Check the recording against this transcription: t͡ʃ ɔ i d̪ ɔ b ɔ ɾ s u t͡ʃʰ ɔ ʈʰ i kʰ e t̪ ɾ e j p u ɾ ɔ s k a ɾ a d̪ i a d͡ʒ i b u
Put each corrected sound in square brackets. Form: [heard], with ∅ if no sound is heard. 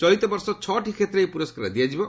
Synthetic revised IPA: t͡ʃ ɔ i [t̪] ɔ b ɔ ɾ s [ɔ] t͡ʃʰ ɔ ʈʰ i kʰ e t̪ ɾ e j p u ɾ ɔ s k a ɾ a d̪ i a d͡ʒ i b [ɔ]

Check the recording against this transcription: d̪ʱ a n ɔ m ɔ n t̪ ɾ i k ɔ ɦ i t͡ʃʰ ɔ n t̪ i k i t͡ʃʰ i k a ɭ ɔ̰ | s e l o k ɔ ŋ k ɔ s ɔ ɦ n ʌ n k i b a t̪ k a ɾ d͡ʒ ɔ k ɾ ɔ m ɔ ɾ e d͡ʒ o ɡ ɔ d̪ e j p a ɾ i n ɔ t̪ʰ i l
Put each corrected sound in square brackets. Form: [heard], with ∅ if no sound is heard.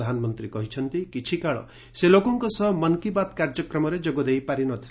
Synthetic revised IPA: d̪ʱ a n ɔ m ɔ n t̪ ɾ i k ɔ ɦ i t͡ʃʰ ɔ n t̪ i k i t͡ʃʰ i k a ɭ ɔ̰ | s e l o k ɔ ŋ k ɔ s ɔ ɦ [m] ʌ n k i b a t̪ k a ɾ d͡ʒ ɔ k ɾ ɔ m ɔ ɾ e d͡ʒ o ɡ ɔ d̪ e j p a ɾ i n ɔ t̪ʰ i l

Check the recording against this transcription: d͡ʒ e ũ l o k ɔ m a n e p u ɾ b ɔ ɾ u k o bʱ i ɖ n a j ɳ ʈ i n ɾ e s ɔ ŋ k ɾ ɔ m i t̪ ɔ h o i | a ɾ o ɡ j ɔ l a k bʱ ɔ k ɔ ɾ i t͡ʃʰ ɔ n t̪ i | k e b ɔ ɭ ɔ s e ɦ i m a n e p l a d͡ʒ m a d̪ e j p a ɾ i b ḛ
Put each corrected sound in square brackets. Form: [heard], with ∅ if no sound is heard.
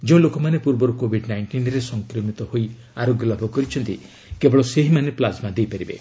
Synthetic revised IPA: d͡ʒ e ũ l o k ɔ m a n e p u ɾ b ɔ ɾ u k o bʱ i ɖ n a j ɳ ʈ i n ɾ e s ɔ ŋ k ɾ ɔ m i t̪ ɔ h o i | a ɾ o ɡ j ɔ l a [∅] bʱ ɔ k ɔ ɾ i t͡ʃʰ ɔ n t̪ i | k e b ɔ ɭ ɔ s e ɦ i m a n e p l a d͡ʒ m a d̪ e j p a ɾ i b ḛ

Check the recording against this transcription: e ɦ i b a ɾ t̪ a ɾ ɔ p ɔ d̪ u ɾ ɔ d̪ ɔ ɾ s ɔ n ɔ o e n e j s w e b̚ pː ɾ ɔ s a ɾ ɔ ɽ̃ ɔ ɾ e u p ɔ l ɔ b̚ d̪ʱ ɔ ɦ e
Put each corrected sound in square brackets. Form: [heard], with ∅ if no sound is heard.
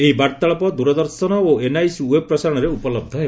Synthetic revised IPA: e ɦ i b a ɾ t̪ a [ɭ] ɔ p ɔ d̪ u ɾ ɔ d̪ ɔ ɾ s ɔ n ɔ o e n [a] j s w e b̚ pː ɾ ɔ s a ɾ ɔ ɽ̃ ɔ ɾ e u p ɔ l ɔ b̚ d̪ʱ ɔ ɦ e

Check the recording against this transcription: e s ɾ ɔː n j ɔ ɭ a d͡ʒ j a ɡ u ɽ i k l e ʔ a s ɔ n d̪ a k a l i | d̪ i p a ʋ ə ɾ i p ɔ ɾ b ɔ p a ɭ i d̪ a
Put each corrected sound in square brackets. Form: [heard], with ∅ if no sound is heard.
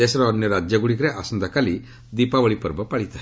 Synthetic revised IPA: e s ɾ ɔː n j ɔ [ɾ] a d͡ʒ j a ɡ u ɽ i k [ɾ] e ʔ a s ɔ n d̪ a k a l i | d̪ i p a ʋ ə [ɭ] i p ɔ ɾ b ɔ p a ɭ i [t̪] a

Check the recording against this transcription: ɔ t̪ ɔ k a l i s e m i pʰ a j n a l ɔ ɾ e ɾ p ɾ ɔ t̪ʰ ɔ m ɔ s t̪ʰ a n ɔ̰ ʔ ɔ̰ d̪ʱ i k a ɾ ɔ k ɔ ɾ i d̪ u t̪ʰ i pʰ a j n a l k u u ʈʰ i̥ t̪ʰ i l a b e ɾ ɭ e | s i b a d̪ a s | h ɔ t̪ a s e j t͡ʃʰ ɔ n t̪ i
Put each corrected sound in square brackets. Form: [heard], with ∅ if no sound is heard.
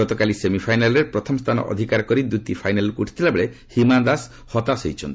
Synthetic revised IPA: ɔ t̪ ɔ k a l i s e m i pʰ a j n a l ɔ ɾ e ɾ p ɾ ɔ t̪ʰ ɔ m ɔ s t̪ʰ a n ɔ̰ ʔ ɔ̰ d̪ʱ i k a ɾ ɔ k ɔ ɾ i d̪ u [t̪] i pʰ a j n a l k u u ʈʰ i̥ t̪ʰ i l a b e [∅] ɭ e | [h] i [m] a d̪ a s | h ɔ t̪ a s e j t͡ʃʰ ɔ n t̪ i

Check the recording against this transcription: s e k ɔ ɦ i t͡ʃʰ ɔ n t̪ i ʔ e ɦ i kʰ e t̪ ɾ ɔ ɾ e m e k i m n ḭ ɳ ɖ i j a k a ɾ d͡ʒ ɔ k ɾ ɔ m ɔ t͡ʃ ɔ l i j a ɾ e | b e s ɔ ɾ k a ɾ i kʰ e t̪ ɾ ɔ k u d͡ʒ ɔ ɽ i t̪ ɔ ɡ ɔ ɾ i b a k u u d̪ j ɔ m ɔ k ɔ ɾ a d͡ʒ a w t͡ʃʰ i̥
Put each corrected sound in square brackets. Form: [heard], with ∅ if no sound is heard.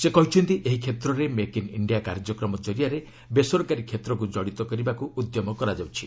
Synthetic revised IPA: s e k ɔ ɦ i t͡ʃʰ ɔ n t̪ i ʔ e ɦ i kʰ e t̪ ɾ ɔ ɾ e m e k i [∅] n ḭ ɳ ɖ i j a k a ɾ d͡ʒ ɔ k ɾ ɔ m ɔ t͡ʃ ɔ [ɾ] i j a ɾ e | b e s ɔ ɾ k a ɾ i kʰ e t̪ ɾ ɔ k u d͡ʒ ɔ ɽ i t̪ ɔ [k] ɔ ɾ i b a k u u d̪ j ɔ m ɔ k ɔ ɾ a d͡ʒ a w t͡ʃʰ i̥

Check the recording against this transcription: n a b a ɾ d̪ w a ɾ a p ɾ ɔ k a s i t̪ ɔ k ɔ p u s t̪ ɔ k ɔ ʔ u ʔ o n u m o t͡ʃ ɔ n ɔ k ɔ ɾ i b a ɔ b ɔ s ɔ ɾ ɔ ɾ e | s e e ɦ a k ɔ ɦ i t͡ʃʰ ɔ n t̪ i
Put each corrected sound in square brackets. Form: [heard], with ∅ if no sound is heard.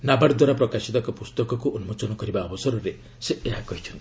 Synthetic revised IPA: n a b a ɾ d̪ w a ɾ a p ɾ ɔ k a s i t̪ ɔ k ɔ p u s t̪ ɔ k ɔ [k] u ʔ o n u m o t͡ʃ ɔ n ɔ k ɔ ɾ i b a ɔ b ɔ s ɔ ɾ ɔ ɾ e | s e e ɦ a k ɔ ɦ i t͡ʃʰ ɔ n t̪ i

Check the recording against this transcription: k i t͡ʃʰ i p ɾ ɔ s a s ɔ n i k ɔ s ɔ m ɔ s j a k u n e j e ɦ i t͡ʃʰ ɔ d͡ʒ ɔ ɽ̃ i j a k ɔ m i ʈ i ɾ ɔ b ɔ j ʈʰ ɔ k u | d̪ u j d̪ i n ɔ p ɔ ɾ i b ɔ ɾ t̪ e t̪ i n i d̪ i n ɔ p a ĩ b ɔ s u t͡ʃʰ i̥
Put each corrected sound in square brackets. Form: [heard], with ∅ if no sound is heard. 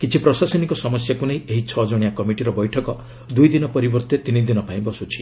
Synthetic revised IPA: k i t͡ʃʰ i p ɾ ɔ s a s ɔ n i k ɔ s ɔ m ɔ s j a k u n e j e ɦ i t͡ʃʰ ɔ d͡ʒ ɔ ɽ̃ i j a k ɔ m i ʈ i ɾ ɔ b ɔ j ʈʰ ɔ k [ɔ] | d̪ u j d̪ i n ɔ p ɔ ɾ i b ɔ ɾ t̪ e t̪ i n i d̪ i n ɔ p a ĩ b ɔ s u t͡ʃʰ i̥

